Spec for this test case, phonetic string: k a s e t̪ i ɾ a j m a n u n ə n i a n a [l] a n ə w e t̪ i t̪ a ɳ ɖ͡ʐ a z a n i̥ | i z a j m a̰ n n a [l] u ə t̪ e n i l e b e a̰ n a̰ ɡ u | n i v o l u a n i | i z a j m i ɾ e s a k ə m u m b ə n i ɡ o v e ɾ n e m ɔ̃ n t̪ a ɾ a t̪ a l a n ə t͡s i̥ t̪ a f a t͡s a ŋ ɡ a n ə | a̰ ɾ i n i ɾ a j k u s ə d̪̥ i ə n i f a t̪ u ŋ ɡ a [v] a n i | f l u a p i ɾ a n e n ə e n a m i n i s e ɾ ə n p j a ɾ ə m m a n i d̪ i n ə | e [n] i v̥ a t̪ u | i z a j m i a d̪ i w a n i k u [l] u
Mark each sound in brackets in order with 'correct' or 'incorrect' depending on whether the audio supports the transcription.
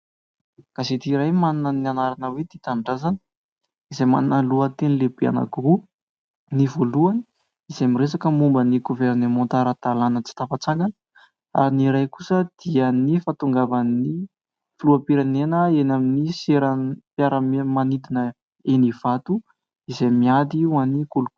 incorrect: ɾ, correct, correct, correct, correct

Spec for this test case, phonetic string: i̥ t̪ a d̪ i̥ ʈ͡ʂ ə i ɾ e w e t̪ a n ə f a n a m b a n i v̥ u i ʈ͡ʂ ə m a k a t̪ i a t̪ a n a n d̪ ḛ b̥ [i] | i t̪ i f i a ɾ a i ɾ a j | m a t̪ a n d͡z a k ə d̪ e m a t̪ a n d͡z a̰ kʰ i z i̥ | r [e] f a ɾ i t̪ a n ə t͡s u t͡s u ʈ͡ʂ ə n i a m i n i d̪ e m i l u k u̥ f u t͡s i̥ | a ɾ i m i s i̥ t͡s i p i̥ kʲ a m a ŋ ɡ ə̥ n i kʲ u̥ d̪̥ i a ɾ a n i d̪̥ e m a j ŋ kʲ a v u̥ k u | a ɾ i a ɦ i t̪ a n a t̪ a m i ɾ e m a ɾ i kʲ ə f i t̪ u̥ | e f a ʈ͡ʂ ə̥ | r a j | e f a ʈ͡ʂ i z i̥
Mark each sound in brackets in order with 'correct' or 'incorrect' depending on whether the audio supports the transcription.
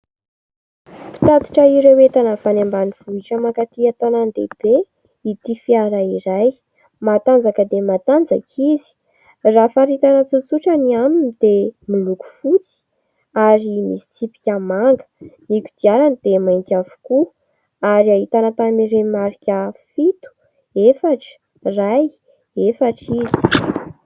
incorrect: e, incorrect: a

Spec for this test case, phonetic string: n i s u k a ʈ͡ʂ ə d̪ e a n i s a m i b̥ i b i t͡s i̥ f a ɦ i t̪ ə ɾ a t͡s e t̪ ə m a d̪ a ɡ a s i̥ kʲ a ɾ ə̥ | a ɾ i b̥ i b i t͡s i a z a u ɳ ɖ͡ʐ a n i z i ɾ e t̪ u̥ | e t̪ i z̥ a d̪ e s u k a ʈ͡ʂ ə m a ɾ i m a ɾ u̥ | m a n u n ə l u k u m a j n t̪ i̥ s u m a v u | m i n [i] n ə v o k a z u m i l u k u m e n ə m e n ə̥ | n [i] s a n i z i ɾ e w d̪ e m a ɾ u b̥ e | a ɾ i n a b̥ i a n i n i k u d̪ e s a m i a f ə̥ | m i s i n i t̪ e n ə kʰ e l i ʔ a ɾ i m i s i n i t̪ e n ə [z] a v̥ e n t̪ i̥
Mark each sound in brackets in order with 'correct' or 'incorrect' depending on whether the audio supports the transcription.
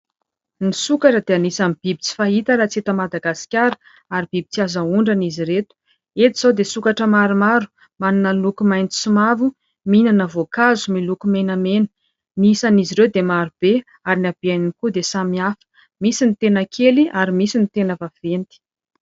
incorrect: a, correct, incorrect: v

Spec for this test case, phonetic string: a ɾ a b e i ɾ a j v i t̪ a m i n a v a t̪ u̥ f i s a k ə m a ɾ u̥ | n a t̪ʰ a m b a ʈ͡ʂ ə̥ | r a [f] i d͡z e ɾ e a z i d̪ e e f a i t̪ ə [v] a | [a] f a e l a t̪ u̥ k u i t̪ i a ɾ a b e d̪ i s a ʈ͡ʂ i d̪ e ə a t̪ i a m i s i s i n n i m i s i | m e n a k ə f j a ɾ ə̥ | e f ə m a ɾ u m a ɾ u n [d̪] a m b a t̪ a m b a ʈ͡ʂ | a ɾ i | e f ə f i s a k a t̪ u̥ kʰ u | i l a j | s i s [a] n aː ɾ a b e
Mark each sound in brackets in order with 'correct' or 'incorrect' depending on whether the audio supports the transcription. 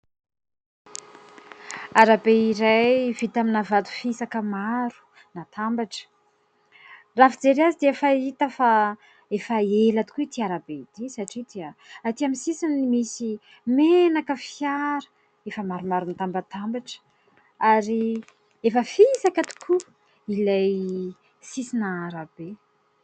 correct, incorrect: f, incorrect: e, incorrect: t̪, incorrect: i

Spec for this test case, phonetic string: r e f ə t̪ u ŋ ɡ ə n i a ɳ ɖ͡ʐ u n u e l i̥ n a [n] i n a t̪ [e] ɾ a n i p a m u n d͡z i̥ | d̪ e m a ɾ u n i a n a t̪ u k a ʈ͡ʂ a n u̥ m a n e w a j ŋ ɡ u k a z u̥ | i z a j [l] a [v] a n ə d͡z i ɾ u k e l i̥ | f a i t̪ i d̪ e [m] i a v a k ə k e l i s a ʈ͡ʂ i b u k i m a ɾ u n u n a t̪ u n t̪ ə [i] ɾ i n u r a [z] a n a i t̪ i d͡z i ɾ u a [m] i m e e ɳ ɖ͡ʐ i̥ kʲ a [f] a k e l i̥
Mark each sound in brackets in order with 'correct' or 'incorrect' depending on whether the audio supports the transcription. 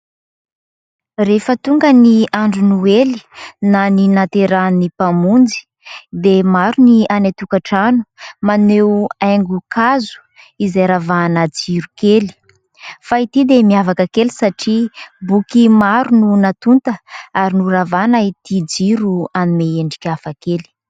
correct, correct, incorrect: ɾ, correct, correct, incorrect: a, incorrect: v, incorrect: n, correct

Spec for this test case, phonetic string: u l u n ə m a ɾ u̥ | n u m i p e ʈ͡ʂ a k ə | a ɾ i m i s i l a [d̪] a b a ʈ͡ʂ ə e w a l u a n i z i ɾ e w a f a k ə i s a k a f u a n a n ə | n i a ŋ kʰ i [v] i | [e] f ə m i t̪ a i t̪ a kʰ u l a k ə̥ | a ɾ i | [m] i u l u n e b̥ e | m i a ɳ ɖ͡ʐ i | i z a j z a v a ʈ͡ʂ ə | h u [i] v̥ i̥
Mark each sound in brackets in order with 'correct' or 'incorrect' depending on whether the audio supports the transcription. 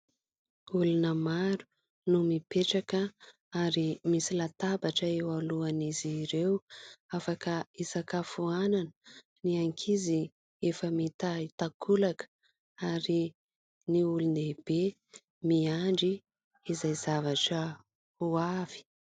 incorrect: t̪, incorrect: z, correct, incorrect: n, incorrect: a

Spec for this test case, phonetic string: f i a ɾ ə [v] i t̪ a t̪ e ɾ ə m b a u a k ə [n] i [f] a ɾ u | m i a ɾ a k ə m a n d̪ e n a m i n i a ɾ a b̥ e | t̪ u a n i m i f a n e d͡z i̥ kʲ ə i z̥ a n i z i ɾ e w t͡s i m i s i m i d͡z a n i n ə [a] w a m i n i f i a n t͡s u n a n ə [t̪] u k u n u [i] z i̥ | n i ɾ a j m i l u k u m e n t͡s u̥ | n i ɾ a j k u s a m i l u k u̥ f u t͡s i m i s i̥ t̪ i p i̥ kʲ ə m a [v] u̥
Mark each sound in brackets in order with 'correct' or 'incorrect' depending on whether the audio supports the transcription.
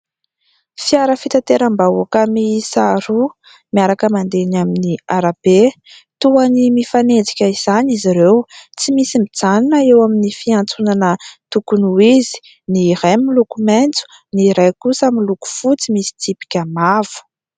incorrect: f, incorrect: m, incorrect: s, incorrect: e, correct, correct, correct

